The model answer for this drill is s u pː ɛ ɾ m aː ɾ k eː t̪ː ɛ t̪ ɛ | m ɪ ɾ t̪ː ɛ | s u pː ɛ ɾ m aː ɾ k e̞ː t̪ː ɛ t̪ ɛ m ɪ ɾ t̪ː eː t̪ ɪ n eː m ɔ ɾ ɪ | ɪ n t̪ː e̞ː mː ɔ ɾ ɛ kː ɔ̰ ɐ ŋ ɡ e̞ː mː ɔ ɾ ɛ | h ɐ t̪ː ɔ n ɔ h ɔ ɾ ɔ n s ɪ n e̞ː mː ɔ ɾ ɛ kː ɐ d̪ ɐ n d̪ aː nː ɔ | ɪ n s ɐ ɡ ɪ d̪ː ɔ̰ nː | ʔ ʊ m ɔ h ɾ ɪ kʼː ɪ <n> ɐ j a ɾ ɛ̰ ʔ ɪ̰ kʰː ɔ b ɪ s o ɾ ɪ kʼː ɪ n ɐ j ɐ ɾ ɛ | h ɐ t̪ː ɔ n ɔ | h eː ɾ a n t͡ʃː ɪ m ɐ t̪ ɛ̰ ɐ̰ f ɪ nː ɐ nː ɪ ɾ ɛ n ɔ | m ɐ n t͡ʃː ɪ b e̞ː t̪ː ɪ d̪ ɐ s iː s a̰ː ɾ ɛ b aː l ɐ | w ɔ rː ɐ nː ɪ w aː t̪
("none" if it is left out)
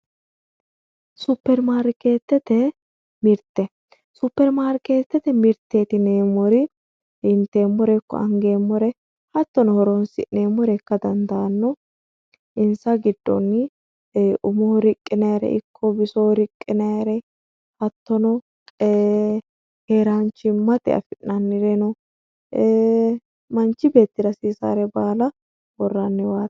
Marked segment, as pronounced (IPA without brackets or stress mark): n